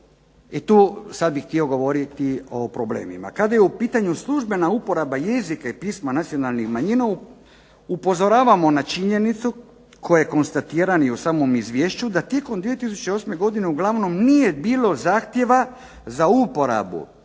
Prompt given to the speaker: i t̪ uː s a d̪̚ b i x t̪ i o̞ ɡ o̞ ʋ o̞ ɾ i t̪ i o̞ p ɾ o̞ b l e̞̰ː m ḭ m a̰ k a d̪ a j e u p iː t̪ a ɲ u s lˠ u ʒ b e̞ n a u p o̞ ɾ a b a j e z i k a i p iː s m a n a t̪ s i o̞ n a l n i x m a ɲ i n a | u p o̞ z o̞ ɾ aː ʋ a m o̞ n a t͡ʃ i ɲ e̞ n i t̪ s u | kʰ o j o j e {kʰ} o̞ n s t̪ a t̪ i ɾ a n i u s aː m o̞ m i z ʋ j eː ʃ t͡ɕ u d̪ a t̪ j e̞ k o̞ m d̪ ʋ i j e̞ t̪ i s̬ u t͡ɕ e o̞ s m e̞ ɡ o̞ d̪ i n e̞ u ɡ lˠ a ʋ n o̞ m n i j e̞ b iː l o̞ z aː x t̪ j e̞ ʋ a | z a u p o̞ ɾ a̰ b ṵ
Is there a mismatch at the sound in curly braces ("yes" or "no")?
yes